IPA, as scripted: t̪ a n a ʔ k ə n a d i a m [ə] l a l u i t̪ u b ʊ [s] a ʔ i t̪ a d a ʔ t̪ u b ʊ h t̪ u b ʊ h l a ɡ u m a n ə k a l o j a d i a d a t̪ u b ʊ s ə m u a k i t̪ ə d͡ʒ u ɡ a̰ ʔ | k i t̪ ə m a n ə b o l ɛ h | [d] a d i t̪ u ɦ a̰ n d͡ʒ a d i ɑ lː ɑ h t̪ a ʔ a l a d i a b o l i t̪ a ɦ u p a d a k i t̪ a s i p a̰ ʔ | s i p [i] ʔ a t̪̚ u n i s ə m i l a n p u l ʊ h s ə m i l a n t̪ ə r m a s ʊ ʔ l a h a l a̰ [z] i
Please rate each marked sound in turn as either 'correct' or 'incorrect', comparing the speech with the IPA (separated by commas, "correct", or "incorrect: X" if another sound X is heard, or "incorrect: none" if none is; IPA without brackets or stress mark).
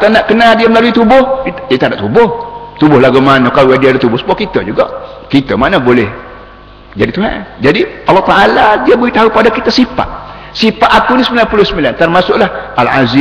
correct, incorrect: h, incorrect: d͡ʒ, incorrect: a, correct